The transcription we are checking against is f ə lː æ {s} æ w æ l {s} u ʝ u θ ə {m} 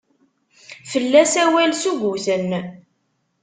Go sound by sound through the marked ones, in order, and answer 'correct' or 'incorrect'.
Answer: correct, correct, incorrect

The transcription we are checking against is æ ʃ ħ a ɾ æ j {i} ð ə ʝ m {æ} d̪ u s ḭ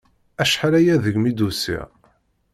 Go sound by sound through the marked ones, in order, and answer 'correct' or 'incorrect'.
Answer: incorrect, incorrect

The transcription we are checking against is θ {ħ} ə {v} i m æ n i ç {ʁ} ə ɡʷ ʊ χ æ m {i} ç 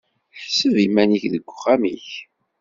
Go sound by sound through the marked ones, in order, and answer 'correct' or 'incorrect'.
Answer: incorrect, correct, incorrect, correct

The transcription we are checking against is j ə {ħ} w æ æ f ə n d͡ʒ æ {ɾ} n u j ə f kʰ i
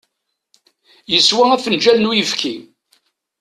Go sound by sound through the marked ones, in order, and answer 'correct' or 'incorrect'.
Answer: incorrect, incorrect

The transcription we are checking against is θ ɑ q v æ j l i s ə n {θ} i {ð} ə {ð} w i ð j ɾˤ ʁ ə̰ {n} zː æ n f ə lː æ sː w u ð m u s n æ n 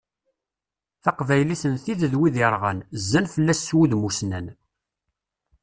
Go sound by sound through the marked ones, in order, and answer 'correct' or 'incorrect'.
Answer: correct, correct, correct, correct

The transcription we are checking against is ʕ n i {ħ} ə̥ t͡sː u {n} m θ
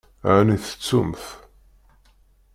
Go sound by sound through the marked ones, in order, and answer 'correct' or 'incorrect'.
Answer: incorrect, incorrect

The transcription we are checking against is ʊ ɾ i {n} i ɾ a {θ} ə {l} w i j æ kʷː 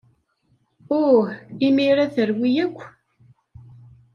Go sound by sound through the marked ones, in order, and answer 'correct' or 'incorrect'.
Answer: incorrect, correct, incorrect

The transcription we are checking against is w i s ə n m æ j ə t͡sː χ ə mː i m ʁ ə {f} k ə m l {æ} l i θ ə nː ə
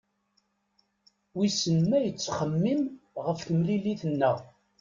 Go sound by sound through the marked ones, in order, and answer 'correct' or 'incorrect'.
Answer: correct, incorrect

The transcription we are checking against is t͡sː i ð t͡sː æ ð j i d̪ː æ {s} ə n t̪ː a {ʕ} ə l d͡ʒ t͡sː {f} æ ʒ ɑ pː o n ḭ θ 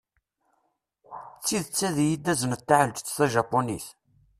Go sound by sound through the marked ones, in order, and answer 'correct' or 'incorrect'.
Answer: incorrect, correct, incorrect

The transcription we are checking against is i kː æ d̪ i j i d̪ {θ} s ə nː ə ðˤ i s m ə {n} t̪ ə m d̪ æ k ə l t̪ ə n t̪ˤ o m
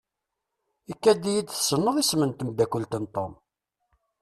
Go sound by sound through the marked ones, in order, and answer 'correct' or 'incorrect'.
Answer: correct, correct

